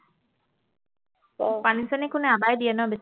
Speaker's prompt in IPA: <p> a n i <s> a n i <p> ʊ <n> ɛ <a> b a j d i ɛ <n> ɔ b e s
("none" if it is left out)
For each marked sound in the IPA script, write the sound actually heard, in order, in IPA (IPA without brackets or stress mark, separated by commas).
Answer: p, s, k, n, a, n